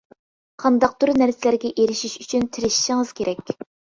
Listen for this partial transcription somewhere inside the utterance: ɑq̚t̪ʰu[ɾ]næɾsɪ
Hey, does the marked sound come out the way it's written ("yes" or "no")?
yes